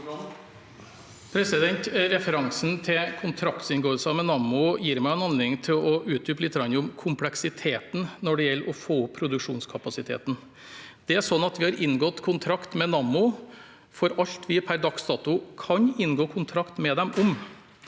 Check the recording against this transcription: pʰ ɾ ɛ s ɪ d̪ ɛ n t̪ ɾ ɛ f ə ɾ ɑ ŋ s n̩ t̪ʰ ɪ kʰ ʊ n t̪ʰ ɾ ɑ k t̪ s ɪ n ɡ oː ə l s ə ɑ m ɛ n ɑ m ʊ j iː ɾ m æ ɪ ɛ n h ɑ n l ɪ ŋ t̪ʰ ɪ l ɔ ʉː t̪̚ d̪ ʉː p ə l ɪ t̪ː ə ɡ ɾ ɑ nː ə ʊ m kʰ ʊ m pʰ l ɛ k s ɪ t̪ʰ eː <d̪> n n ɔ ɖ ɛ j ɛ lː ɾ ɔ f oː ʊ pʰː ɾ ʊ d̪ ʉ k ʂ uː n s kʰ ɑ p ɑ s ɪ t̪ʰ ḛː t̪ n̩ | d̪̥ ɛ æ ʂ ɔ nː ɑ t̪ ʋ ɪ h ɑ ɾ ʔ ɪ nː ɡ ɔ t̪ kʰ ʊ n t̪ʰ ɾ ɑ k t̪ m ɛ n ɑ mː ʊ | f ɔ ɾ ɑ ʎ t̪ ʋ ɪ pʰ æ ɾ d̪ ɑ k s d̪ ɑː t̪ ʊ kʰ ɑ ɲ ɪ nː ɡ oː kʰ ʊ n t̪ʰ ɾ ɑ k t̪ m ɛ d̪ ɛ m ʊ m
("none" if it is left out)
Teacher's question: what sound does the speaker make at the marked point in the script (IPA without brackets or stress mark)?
t̪